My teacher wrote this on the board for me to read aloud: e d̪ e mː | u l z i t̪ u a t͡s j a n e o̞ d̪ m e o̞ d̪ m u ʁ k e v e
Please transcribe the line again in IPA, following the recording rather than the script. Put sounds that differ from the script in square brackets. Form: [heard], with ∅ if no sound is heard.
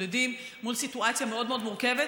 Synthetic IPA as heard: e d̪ [i] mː | u l [s] i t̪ u a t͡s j a [m] e o̞ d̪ m e o̞ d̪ m u ʁ k e v e